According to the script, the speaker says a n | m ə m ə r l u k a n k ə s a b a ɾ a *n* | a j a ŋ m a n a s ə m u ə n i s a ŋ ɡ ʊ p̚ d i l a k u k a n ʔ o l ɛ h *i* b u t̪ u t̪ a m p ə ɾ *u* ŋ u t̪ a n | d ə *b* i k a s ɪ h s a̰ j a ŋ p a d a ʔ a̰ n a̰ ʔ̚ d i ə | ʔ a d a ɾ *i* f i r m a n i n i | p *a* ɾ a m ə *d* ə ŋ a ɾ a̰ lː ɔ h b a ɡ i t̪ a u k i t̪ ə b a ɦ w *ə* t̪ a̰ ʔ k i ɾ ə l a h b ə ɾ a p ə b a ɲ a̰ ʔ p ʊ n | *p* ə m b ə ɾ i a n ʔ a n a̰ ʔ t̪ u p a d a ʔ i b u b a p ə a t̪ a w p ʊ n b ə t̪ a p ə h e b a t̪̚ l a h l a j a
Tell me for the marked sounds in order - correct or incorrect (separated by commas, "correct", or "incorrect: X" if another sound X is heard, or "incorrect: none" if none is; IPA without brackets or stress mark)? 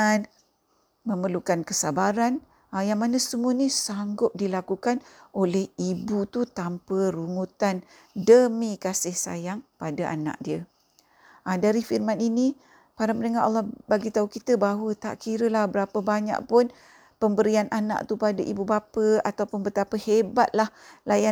correct, correct, correct, incorrect: m, correct, correct, incorrect: n, correct, correct